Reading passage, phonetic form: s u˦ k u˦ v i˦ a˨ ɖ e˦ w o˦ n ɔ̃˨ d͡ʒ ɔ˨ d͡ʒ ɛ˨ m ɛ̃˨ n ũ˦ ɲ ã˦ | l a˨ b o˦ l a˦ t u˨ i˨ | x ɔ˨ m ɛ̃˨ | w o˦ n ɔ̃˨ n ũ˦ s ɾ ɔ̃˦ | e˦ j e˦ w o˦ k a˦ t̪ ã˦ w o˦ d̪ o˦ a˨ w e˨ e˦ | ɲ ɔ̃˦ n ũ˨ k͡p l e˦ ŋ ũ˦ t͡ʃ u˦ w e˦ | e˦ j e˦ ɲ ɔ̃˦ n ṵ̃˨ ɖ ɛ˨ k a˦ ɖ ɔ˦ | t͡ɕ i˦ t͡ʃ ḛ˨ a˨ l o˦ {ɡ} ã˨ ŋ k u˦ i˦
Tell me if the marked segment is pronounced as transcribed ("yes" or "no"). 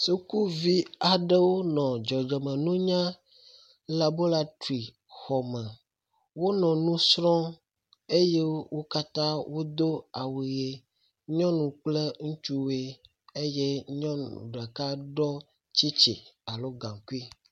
yes